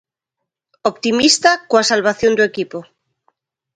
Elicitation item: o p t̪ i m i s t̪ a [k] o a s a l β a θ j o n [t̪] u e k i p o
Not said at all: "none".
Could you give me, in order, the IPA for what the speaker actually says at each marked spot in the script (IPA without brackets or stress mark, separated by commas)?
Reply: k, d̪